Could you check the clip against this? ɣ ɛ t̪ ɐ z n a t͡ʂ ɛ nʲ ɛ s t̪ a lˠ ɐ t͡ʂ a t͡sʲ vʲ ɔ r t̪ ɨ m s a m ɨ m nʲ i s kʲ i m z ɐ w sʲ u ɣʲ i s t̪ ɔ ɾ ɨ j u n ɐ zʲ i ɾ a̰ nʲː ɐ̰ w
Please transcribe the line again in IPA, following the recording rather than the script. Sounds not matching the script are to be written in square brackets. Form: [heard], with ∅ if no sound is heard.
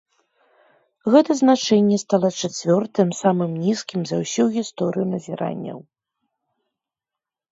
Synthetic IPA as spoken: ɣ ɛ t̪ ɐ z n a t͡ʂ ɛ [nʲː] ɛ s t̪ a lˠ ɐ t͡ʂ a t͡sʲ vʲ ɔ r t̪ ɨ m s a m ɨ m nʲ i s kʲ i m z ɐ w sʲ u ɣʲ i s t̪ ɔ ɾ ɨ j u n ɐ zʲ i ɾ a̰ nʲː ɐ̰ w